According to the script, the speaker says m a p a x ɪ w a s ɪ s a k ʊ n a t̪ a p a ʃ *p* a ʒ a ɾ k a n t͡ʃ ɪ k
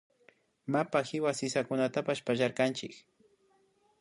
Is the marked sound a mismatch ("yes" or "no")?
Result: no